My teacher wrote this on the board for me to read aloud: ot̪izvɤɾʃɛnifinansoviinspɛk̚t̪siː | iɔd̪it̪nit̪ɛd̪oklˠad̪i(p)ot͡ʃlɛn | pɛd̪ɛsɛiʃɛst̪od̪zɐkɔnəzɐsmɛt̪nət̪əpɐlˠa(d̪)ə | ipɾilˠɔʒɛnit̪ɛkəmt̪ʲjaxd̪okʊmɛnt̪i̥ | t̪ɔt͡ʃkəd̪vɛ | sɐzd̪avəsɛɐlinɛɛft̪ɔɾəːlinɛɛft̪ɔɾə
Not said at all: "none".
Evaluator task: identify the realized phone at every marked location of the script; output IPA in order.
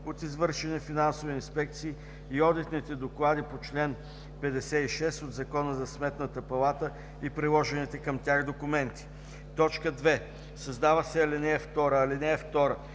p, t̪

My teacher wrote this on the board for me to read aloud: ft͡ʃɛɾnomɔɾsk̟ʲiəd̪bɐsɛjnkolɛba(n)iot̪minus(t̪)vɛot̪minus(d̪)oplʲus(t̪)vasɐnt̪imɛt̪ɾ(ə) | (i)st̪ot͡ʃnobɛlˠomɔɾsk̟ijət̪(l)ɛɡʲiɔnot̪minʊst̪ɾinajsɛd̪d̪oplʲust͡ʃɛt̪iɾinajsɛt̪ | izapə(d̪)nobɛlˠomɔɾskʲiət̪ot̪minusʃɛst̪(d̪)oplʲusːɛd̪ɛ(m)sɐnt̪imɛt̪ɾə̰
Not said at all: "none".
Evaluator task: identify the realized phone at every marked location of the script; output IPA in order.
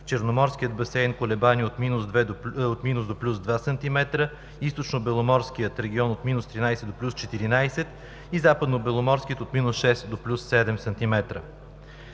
n, d̪, d̪, d̪, ə, i, ɾ, d̪, d̪, m

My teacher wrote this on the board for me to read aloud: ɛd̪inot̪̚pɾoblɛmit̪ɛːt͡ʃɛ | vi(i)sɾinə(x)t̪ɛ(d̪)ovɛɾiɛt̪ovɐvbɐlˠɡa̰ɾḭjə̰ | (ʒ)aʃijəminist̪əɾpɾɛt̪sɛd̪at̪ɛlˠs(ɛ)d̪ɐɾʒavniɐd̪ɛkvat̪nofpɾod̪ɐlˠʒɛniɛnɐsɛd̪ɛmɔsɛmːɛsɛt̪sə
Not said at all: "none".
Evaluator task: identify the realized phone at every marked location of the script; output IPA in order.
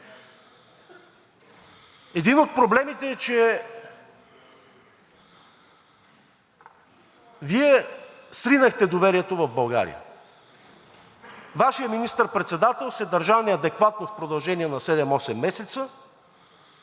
ɛ, x, d̪, v, ɛ

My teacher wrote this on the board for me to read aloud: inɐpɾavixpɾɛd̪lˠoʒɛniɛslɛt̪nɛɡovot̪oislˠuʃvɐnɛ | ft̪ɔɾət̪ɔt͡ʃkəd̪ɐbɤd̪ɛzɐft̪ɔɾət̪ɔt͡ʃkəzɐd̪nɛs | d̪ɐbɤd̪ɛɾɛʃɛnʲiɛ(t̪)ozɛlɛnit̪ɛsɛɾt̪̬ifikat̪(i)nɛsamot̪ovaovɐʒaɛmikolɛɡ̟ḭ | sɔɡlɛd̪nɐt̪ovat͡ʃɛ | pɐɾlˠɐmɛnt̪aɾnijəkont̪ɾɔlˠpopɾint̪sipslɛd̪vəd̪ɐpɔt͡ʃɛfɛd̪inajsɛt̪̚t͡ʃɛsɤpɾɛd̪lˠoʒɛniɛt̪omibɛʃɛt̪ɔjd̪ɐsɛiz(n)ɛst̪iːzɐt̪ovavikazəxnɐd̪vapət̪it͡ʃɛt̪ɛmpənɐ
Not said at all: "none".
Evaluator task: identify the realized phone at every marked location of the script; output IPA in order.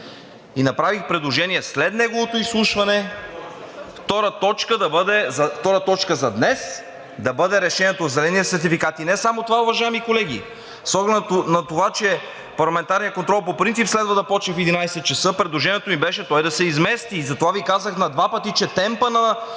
t̪, i, m

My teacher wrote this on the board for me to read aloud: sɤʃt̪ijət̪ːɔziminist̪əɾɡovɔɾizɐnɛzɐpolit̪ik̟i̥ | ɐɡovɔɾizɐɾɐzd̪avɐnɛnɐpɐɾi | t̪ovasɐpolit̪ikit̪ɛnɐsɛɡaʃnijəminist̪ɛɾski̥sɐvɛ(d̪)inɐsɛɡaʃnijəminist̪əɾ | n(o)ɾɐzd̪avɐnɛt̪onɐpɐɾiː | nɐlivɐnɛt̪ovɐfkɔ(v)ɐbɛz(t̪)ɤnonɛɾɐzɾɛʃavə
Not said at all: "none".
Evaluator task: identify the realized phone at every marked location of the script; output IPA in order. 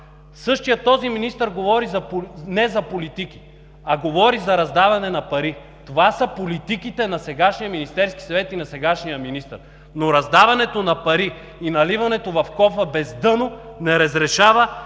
t̪, o, f, d̪

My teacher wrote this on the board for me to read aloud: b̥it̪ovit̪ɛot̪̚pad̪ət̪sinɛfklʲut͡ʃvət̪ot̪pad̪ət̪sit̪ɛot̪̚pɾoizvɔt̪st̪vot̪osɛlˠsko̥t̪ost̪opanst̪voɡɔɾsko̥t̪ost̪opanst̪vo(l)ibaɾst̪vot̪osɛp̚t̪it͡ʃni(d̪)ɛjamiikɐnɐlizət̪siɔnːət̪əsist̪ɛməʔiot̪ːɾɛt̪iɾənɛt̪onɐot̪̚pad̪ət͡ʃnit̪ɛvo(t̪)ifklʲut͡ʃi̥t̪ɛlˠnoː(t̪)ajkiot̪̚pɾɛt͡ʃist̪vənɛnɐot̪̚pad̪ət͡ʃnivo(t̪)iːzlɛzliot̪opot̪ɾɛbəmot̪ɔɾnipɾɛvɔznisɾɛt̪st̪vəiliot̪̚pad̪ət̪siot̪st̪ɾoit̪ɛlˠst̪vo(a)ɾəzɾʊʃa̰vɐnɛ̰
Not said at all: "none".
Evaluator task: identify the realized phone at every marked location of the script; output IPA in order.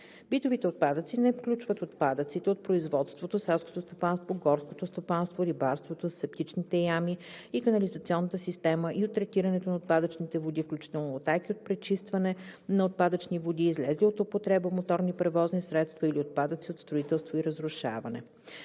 ɾ, t̪, d̪, t̪, d̪, i

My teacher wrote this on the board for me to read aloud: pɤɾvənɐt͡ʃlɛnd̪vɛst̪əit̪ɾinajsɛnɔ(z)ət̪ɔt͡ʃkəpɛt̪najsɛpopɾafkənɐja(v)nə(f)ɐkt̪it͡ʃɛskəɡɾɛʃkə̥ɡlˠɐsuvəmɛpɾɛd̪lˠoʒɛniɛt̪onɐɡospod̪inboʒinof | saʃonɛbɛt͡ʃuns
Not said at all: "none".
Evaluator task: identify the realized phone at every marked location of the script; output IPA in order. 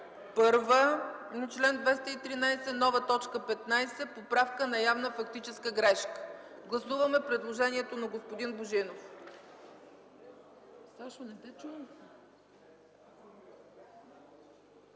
v, v, f

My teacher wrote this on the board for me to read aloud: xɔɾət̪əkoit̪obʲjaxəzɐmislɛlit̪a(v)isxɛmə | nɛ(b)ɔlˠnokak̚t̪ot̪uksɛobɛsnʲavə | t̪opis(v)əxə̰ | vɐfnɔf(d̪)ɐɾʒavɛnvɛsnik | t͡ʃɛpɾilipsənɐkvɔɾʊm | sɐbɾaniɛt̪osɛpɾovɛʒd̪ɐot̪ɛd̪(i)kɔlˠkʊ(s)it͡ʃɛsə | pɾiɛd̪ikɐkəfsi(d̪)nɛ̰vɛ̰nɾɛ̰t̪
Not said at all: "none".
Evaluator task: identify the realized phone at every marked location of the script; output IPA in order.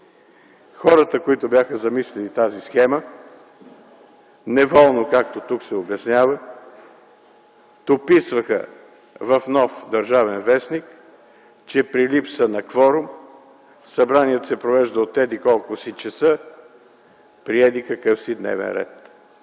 z, v, v, d̪, i, s, d̪

